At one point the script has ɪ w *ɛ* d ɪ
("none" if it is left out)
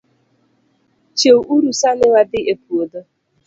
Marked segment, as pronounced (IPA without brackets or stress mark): a